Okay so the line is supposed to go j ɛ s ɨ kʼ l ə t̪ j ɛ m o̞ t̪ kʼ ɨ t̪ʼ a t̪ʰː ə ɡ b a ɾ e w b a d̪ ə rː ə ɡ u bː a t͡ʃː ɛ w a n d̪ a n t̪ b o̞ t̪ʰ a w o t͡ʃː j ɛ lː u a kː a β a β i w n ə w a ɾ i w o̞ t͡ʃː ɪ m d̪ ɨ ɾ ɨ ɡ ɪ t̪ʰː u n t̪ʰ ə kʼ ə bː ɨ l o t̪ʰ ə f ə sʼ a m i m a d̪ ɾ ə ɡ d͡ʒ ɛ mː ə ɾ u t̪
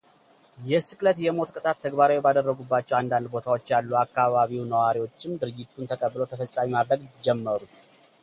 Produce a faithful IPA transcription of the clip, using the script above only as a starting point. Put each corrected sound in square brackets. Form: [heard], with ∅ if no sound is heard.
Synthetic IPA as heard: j ɛ s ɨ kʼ l ə t̪ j ɛ m o̞ t̪ kʼ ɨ t̪ʼ a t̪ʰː ə ɡ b a ɾ [a] w b a d̪ ə rː ə ɡ u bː a t͡ʃː ɛ w a n d̪ a n [d̪] b o̞ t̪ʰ a w o t͡ʃː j [a] lː u a kː a β a β i w n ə w a ɾ i w o̞ t͡ʃː ɪ m d̪ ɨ ɾ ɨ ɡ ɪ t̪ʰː u n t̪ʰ ə kʼ ə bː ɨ l o t̪ʰ ə f ə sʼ a m i m a d̪ ɾ ə ɡ d͡ʒ ɛ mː ə ɾ u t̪